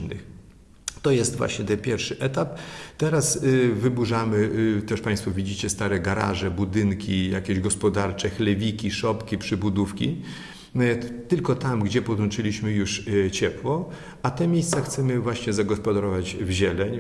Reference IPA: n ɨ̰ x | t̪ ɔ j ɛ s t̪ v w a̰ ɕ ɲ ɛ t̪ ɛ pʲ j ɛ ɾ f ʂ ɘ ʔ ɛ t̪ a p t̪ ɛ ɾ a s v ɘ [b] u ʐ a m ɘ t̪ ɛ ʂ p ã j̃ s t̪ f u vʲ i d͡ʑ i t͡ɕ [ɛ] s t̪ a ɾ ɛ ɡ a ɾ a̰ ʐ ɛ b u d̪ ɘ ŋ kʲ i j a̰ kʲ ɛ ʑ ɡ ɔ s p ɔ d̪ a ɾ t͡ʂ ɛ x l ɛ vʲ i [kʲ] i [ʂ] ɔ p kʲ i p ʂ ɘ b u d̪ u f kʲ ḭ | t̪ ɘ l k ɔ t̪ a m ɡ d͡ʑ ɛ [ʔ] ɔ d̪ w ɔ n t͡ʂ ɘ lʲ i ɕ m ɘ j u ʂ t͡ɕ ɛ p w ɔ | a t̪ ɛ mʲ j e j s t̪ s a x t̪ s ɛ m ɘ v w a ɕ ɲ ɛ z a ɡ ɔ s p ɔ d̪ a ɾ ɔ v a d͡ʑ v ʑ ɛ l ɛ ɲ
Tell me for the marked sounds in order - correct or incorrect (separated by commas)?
correct, correct, correct, correct, incorrect